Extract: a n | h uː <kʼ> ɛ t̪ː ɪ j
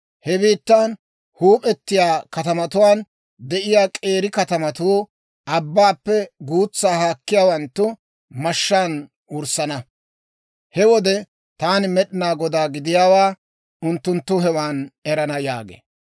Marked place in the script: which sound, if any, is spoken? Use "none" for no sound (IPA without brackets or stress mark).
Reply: pʼ